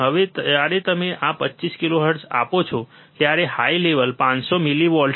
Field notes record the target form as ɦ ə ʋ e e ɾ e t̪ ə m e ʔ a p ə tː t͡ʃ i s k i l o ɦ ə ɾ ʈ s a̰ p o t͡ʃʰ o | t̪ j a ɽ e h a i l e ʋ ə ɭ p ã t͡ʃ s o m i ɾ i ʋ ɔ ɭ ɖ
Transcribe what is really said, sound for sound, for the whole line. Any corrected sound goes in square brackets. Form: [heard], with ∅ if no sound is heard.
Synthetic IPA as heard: ɦ ə ʋ e [a] ɾ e t̪ ə m e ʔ a p ə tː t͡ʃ i s k i l o ɦ ə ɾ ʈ s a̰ p o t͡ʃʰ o | t̪ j a [ɾ] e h a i l e ʋ ə [l] p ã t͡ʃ s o m i [l] i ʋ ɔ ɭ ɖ